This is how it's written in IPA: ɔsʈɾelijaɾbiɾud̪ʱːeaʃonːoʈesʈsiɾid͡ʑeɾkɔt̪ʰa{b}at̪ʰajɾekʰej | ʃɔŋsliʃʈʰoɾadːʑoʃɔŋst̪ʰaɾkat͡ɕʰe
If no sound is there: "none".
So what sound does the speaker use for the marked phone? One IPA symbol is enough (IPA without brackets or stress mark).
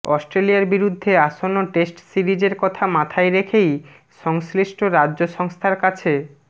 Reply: m